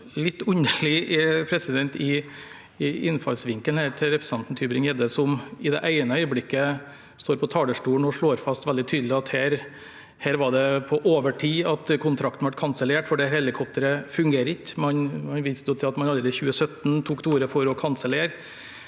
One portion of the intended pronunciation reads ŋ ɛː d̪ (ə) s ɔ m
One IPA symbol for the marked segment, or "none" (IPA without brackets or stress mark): ə